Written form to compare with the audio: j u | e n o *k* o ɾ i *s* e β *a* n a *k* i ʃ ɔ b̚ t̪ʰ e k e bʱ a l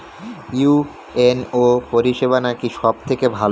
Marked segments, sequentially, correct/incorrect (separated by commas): incorrect, incorrect, correct, correct